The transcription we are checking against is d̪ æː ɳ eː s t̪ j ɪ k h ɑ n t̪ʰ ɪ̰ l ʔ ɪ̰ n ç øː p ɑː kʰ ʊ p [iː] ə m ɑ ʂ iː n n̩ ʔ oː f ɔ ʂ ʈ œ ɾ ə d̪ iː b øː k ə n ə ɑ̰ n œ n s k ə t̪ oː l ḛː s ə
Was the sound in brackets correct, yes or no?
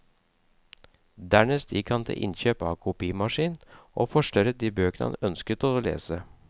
yes